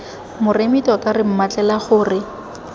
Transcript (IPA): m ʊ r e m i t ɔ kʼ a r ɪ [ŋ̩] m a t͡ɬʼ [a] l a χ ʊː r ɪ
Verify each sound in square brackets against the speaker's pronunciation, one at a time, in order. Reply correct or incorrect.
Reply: incorrect: m̩, incorrect: ɛ

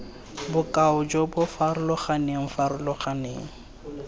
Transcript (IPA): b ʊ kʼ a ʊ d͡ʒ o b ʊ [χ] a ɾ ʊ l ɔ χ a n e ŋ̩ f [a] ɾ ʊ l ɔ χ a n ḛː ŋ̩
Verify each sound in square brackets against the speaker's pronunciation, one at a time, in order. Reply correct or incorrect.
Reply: incorrect: f, correct

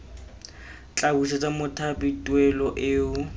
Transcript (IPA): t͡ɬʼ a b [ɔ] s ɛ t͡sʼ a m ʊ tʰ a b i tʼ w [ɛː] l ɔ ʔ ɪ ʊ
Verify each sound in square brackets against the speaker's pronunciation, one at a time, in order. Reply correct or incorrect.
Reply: incorrect: u, incorrect: ɛ

